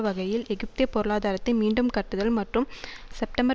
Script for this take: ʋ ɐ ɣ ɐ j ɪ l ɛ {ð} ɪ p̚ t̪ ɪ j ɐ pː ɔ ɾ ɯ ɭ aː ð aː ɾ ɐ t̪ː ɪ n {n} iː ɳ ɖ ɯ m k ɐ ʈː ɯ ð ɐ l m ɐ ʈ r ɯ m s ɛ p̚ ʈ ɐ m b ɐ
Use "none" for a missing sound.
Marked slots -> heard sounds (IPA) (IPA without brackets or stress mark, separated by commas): ɣ, m